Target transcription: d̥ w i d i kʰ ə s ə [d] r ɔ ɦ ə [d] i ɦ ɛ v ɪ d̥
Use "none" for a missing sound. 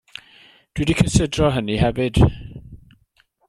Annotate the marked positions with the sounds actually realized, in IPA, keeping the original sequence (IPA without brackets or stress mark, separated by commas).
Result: d, n